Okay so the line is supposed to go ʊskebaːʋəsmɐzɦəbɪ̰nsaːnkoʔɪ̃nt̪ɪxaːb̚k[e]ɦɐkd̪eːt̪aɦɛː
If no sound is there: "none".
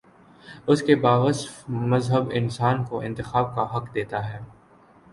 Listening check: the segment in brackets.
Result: a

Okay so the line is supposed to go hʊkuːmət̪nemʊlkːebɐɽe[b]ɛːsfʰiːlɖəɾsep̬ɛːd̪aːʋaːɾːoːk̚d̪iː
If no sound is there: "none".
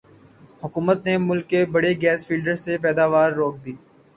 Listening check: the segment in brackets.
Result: ɡ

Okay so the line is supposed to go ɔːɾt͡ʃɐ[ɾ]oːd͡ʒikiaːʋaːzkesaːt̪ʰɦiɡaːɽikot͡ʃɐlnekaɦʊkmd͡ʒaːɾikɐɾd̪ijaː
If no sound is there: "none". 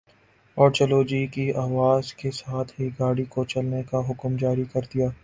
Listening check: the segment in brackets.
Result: l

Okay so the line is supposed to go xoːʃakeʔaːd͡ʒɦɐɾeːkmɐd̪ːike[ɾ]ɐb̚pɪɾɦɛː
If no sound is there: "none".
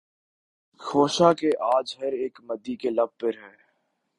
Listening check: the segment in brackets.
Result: l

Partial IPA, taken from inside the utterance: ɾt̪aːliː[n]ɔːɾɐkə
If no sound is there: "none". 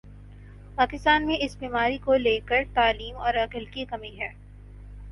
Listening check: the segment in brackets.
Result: m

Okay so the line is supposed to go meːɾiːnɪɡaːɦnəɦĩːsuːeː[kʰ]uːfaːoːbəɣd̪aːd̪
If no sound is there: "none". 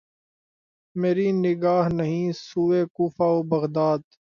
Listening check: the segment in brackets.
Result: k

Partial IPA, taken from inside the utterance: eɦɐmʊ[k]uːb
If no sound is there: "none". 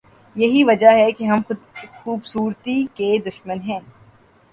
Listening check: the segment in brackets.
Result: x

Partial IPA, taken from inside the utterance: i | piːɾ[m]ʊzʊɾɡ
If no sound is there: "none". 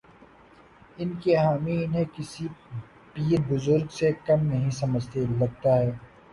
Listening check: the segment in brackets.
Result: b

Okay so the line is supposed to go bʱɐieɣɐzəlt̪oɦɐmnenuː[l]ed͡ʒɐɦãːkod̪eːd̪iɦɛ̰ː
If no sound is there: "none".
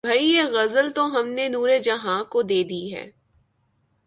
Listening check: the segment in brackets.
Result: ɾ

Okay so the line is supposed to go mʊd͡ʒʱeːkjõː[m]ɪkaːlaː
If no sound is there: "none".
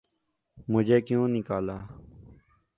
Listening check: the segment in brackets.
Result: n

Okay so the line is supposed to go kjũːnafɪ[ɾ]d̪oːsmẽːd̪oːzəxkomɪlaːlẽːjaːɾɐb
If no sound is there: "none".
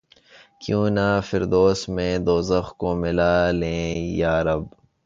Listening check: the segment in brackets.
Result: ɾ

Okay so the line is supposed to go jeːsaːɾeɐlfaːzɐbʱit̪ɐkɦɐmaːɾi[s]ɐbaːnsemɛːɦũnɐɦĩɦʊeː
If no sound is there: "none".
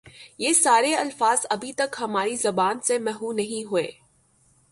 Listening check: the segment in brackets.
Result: z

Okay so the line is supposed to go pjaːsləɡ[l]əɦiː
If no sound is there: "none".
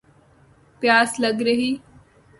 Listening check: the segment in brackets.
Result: ɾ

